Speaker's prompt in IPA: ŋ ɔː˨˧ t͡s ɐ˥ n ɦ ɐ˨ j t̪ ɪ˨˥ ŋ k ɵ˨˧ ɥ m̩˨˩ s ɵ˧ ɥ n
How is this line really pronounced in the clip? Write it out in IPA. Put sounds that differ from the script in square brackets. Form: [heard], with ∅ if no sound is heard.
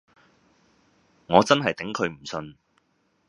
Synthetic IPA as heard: ŋ ɔː˨˧ t͡s ɐ˥ n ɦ ɐ˨ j t̪ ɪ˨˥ ŋ [kʰ] ɵ˨˧ ɥ m̩˨˩ s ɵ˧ [∅] n